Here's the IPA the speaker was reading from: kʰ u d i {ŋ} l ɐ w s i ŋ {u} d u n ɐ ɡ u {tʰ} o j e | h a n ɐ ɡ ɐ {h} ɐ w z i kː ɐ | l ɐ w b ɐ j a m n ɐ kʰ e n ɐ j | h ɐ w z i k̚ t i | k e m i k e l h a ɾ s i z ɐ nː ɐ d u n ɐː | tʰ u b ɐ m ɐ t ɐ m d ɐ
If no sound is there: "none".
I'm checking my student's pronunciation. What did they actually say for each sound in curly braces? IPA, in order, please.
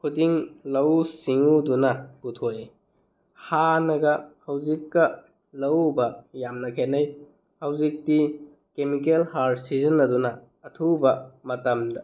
ŋ, u, tʰ, h

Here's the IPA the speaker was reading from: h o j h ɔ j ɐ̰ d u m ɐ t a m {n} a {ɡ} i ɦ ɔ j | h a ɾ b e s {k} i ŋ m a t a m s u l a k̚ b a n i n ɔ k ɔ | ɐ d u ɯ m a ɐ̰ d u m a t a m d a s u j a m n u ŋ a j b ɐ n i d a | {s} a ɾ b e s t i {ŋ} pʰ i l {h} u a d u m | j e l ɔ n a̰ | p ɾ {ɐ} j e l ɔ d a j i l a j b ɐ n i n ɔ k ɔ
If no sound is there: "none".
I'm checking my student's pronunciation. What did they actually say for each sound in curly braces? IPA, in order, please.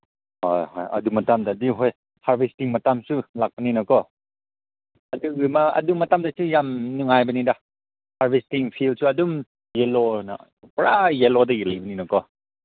d, d, t, h, ŋ, s, a

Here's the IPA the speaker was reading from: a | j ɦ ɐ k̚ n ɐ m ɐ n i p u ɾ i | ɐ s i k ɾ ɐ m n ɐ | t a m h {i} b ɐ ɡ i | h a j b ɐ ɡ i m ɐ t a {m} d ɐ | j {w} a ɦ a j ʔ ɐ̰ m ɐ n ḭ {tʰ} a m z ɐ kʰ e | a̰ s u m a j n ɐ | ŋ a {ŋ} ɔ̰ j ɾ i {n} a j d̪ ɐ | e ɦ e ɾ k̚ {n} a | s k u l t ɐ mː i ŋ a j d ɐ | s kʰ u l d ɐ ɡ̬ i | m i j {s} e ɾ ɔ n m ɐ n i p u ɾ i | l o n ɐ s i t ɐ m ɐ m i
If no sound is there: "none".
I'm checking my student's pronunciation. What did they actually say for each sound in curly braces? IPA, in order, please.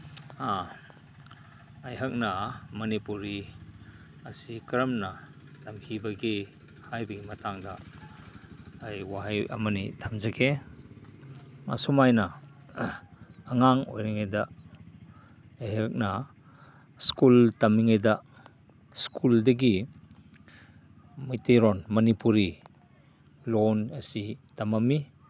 i, ŋ, w, tʰ, ŋ, ŋ, n, t

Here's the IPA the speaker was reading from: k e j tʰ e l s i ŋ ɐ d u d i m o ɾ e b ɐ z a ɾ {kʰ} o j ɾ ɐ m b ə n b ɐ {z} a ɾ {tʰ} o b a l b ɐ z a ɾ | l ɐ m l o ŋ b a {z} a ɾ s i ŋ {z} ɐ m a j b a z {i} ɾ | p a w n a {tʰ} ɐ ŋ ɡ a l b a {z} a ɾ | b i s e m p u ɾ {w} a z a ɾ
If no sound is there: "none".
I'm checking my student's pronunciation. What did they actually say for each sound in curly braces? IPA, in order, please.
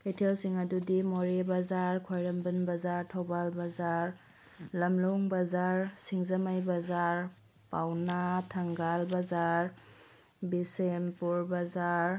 kʰ, z, tʰ, z, z, a, tʰ, z, b

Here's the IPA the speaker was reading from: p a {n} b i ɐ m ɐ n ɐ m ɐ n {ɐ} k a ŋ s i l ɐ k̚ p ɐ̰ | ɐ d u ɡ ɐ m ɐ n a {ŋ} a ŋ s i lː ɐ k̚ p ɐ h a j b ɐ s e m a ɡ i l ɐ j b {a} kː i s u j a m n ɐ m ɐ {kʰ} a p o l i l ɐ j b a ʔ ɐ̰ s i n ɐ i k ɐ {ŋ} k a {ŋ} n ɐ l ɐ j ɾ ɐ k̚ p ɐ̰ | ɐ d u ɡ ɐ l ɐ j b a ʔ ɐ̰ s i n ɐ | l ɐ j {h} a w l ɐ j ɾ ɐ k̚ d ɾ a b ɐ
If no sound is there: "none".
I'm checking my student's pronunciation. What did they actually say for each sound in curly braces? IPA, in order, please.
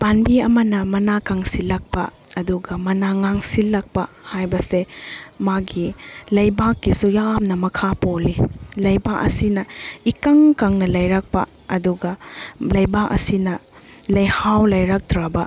n, a, ŋ, a, kʰ, ŋ, ŋ, h

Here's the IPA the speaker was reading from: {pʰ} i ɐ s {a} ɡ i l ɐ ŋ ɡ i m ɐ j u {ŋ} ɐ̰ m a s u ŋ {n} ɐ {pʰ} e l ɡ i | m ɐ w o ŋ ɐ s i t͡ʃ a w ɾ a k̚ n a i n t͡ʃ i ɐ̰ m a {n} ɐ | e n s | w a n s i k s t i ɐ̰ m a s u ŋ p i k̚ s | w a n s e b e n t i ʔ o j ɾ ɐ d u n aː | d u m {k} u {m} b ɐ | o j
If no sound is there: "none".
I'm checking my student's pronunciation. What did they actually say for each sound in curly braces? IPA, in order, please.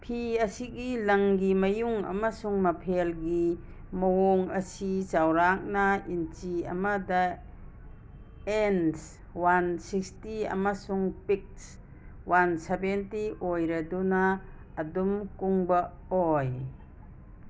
pʰ, i, ŋ, m, pʰ, d, k, ŋ

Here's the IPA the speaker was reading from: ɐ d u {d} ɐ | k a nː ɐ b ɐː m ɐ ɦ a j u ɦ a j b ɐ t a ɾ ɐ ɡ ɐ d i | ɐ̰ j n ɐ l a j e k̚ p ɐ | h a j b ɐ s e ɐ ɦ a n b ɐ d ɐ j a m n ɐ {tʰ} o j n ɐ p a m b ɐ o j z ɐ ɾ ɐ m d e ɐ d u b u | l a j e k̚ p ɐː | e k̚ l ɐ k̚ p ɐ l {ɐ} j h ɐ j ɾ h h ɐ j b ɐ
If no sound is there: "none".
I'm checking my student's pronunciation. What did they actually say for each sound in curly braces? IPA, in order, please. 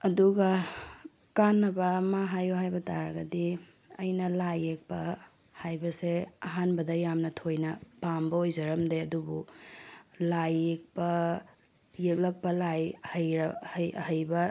ɡ, tʰ, a

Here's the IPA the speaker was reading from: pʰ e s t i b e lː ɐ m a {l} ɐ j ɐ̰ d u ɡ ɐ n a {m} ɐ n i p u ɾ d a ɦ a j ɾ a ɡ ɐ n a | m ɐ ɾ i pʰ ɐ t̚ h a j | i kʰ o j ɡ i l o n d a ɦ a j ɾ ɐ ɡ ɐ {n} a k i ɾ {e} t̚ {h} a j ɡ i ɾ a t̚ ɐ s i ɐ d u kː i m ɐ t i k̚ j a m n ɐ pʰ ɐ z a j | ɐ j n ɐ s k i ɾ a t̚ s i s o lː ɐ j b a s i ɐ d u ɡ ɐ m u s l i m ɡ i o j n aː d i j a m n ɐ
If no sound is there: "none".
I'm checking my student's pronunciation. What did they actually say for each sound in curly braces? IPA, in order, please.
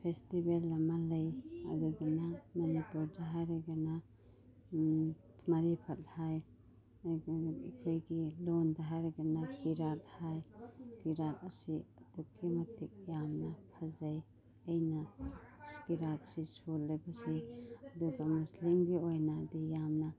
l, m, n, a, h

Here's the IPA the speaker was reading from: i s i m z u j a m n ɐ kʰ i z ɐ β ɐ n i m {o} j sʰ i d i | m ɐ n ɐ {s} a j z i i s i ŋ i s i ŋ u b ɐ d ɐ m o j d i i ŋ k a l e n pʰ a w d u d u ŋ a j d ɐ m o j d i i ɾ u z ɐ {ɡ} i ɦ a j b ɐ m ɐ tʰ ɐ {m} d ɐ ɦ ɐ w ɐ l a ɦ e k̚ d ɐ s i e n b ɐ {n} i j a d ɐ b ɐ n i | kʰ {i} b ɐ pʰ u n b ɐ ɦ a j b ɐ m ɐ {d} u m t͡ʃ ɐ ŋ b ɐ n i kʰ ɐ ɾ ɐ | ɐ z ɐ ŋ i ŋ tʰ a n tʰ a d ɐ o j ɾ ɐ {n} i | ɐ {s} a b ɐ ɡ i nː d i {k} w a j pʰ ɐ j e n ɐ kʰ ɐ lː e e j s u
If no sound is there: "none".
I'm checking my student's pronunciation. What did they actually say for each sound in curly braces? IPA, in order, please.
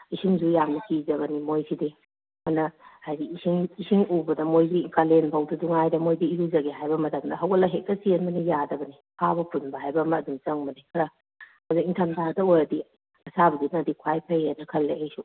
o, h, ɡ, m, n, a, d, d, s, kʰ

